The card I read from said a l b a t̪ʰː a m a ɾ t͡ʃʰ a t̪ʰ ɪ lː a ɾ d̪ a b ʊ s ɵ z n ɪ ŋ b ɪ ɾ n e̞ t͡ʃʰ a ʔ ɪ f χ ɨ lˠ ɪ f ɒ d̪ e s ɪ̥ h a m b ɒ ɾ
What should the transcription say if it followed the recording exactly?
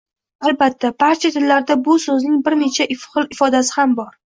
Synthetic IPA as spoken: a l b a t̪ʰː a b a ɾ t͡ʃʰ a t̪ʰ ɪ lː a ɾ d̪ a b ʊ s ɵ z n ɪ ŋ b ɪ ɾ n e̞ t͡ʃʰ a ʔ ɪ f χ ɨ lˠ ɪ f ɒ d̪ a s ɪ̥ h a m b ɒ ɾ